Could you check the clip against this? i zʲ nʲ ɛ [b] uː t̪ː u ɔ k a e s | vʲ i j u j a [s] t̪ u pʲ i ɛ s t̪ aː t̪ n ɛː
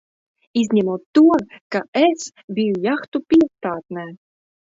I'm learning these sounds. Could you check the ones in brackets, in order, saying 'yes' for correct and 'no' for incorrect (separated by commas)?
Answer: no, no